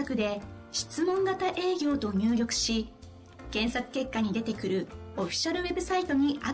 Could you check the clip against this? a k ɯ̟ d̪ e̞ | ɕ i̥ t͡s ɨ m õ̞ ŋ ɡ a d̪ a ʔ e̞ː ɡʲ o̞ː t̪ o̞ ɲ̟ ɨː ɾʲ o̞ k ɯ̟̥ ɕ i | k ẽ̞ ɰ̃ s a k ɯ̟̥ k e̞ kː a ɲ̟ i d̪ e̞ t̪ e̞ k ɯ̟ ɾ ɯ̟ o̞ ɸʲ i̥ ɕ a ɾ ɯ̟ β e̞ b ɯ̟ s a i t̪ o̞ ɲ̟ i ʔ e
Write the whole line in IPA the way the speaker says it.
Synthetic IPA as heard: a k ɯ̟ d̪ e̞ | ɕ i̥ t͡s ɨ m õ̞ ŋ ɡ a t̪ a ʔ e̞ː ɡʲ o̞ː t̪ o̞ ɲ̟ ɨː ɾʲ o̞ k ɯ̟̥ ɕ i | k ẽ̞ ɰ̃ s a k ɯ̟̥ k e̞ kː a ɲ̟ i d̪ e̞ t̪ e̞ k ɯ̟ ɾ ɯ̟ o̞ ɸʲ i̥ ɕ a ɾ ɯ̟ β e̞ b ɯ̟ s a i t̪ o̞ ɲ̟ i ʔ a